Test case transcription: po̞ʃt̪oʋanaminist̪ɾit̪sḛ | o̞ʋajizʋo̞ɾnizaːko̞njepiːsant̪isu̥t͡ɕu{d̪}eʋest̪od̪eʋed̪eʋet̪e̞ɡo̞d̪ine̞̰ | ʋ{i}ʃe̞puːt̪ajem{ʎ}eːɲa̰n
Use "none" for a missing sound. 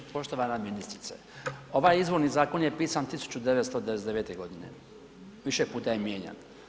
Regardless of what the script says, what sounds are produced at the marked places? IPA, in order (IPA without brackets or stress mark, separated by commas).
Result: d̪, i, j